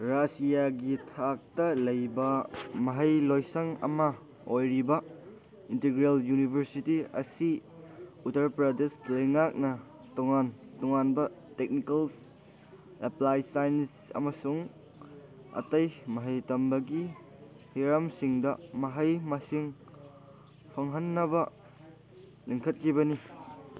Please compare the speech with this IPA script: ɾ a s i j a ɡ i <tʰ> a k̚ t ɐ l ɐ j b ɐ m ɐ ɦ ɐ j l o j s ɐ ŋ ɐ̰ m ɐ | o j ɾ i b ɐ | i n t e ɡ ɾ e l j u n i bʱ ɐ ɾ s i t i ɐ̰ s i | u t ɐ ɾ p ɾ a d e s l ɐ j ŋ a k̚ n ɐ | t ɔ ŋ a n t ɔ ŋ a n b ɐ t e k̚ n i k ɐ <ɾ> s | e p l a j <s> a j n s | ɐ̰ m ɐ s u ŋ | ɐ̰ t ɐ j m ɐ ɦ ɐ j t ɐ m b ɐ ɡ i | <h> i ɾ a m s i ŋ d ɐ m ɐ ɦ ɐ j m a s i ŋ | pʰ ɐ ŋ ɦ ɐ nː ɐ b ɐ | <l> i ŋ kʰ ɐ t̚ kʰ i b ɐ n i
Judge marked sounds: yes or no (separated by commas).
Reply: yes, no, yes, yes, yes